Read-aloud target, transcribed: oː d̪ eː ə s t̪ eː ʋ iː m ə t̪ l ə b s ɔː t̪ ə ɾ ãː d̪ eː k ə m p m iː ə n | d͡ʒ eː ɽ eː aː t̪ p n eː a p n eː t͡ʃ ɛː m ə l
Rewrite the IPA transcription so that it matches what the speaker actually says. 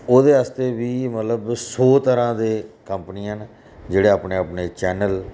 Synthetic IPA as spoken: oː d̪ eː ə s t̪ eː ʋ iː m ə t̪ l ə b s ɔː t̪ ə ɾ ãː d̪ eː k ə m p n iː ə n | d͡ʒ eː ɽ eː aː p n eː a p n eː t͡ʃ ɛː n ə l